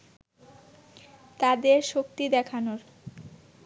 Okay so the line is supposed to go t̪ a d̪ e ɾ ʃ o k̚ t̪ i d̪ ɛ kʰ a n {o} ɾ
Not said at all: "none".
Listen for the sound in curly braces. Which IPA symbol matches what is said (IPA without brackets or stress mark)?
o